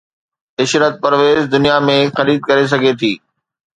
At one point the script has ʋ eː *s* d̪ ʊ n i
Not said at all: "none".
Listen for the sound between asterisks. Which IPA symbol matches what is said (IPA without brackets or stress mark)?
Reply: z